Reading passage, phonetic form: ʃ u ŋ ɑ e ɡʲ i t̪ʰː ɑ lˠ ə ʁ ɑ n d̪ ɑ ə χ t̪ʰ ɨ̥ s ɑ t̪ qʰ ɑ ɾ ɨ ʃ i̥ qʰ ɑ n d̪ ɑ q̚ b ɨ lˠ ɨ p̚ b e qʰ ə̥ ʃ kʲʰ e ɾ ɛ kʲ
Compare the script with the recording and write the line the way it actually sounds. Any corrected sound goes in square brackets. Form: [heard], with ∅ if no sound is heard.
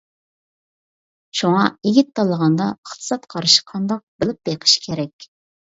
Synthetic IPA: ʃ u ŋ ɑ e ɡʲ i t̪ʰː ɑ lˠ ə ʁ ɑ n d̪ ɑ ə χ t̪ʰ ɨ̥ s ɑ t̪ qʰ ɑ ɾ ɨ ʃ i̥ qʰ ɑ n d̪ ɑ q̚ b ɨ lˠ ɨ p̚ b e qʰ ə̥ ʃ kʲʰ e ɾ ɛ kʲ